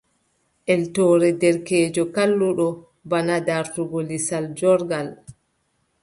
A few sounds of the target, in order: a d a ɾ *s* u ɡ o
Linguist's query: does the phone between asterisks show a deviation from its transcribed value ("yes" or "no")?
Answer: yes